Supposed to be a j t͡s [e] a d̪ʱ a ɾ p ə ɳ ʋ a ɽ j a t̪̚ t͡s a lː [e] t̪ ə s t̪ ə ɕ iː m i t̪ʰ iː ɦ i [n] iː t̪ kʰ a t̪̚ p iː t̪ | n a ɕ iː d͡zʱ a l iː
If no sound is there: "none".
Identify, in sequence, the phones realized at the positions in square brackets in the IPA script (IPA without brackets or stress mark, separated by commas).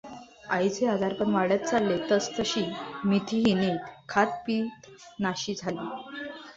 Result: e, e, n